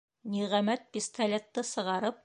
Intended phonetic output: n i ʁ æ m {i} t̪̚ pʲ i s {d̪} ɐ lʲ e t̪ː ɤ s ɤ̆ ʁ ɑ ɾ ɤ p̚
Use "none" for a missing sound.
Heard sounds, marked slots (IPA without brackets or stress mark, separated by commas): æ, t̪